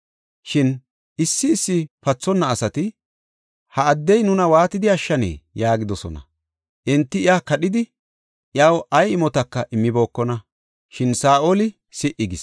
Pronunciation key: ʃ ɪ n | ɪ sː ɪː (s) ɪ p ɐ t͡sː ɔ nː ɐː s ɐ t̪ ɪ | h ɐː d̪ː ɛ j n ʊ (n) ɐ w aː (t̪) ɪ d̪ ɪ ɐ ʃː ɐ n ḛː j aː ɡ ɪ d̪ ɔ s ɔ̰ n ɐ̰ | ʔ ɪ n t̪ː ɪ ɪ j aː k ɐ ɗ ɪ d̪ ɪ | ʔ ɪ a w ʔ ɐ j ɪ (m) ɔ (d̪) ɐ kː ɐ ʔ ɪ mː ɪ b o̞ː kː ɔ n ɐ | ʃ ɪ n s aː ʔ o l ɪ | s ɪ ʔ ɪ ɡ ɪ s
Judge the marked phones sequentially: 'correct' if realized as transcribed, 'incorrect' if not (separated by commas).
incorrect, correct, correct, correct, incorrect